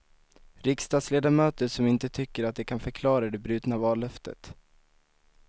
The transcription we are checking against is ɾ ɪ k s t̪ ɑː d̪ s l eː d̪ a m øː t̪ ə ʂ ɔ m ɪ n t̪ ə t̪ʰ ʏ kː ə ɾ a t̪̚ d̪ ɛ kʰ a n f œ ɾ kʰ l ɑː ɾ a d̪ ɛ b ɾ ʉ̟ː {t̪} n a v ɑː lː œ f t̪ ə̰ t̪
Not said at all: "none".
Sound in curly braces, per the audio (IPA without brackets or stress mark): t̪